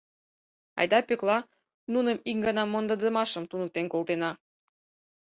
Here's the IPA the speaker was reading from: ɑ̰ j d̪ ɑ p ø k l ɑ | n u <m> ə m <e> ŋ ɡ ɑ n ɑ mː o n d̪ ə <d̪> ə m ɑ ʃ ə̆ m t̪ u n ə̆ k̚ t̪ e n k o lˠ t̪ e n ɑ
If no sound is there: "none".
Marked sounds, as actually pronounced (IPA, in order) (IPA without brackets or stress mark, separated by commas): n, i, d̪